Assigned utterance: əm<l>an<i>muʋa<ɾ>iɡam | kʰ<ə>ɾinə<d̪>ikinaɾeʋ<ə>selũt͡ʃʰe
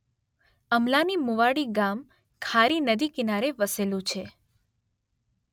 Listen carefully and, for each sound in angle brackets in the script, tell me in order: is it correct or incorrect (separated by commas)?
correct, correct, incorrect, incorrect, correct, correct